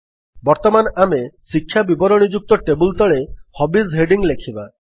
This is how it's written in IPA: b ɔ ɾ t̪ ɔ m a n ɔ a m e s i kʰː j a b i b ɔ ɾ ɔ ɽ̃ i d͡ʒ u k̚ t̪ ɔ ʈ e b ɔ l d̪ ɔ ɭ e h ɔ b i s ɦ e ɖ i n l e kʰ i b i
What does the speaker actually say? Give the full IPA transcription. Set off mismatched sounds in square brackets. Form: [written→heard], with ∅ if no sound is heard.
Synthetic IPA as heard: b ɔ ɾ t̪ ɔ m a n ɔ a m e s i kʰː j a b i b ɔ ɾ ɔ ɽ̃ i d͡ʒ u k̚ t̪ ɔ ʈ e b [ɔ→u] l [d̪→t̪] ɔ ɭ e h ɔ b i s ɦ e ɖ i [n→ŋ] l e kʰ i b [i→a]